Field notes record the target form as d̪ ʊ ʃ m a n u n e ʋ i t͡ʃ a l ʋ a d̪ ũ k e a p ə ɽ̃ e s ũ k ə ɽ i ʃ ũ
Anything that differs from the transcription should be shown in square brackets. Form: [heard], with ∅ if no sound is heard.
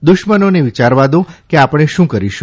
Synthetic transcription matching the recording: d̪ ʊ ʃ m [ə] n [o] n e ʋ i t͡ʃ a [ɾ] ʋ a d̪ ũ k e a p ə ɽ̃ e [ʃ] ũ k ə [ɾ] i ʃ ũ